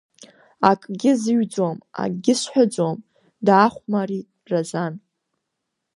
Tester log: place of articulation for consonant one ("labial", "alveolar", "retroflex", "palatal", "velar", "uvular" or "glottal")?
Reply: velar